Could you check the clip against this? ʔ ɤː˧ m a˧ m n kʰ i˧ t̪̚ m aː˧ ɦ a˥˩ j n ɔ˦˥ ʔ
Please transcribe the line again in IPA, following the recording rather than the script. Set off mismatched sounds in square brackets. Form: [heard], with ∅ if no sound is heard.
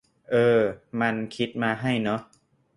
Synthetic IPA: ʔ ɤː˧ m a˧ [∅] n kʰ [i˦˥] t̪̚ m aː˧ ɦ a˥˩ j n ɔ˦˥ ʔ

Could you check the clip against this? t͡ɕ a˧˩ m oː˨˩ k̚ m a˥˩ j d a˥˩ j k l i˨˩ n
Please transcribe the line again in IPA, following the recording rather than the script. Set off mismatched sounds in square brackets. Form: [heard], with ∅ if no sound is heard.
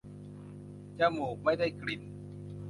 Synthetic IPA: t͡ɕ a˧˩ m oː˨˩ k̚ m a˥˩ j d a˥˩ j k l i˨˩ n

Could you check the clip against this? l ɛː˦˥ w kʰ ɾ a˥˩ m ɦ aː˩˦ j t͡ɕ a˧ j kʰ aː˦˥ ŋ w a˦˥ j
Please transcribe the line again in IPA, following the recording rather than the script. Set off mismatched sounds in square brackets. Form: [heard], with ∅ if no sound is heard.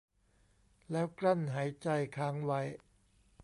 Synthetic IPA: l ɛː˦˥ w [k] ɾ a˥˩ [n] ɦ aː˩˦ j t͡ɕ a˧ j kʰ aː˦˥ ŋ w a˦˥ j

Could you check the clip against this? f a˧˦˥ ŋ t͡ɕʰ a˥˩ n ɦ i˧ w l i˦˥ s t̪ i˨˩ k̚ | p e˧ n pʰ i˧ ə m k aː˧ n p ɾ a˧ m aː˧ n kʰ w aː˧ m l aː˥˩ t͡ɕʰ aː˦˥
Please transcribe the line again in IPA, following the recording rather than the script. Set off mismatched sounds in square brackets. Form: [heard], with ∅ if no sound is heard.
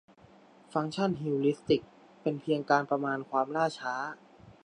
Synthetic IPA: f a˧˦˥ ŋ t͡ɕʰ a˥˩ n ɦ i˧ w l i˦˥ s t̪ i˨˩ k̚ | p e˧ n pʰ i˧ ə [ŋ] k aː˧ n p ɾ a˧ m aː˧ n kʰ w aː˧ m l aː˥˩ t͡ɕʰ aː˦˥

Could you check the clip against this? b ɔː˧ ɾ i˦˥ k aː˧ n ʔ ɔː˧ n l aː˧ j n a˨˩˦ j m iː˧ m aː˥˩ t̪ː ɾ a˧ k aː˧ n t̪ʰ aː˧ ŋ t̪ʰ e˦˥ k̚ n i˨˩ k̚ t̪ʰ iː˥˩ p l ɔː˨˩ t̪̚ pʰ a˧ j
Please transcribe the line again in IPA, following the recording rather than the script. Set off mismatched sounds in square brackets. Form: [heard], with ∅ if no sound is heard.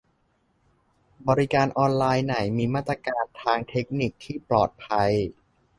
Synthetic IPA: b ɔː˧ ɾ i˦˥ k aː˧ n ʔ ɔː˧ n l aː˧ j n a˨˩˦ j m iː˧ m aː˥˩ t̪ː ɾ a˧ k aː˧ n t̪ʰ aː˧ ŋ t̪ʰ e˦˥ k̚ n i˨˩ k̚ t̪ʰ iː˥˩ p l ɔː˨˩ t̪̚ pʰ a˧ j

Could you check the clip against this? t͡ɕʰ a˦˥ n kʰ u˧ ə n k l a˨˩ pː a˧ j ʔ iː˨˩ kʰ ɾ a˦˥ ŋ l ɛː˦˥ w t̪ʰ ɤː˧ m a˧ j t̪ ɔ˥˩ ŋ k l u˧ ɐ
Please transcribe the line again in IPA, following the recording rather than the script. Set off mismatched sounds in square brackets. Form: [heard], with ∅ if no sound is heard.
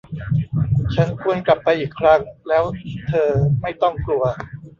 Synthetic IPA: t͡ɕʰ a˦˥ n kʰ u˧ ə n k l a˨˩ pː a˧ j ʔ iː˨˩ kʰ ɾ a˦˥ ŋ l ɛː˦˥ w t̪ʰ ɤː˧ m [a˥˩] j t̪ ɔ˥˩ ŋ k l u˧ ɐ

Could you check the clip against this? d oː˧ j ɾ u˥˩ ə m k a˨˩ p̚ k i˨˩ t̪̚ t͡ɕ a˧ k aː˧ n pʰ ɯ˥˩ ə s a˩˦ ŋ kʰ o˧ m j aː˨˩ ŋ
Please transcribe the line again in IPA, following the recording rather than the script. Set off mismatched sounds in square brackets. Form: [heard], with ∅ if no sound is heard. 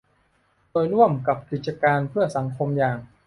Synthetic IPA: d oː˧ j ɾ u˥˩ ə m k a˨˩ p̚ k i˨˩ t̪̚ t͡ɕ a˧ k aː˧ n pʰ ɯ˥˩ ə s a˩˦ ŋ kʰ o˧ m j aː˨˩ ŋ

